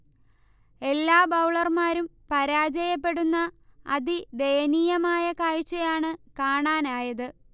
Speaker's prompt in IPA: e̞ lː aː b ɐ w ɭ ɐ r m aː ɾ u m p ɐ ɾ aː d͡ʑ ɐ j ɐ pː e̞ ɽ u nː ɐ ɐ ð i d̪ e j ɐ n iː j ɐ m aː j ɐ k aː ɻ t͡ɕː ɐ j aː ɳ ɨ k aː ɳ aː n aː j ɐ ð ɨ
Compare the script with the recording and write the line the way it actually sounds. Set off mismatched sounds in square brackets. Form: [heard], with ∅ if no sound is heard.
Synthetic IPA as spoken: e̞ lː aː b ɐ w ɭ ɐ r m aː ɾ u m p ɐ ɾ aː d͡ʑ ɐ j ɐ pː e̞ ɽ u nː ɐ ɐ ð i d̪ e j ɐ n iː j ɐ m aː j ɐ k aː ɻ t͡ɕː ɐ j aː ɳ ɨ k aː ɳ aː n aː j ɐ ð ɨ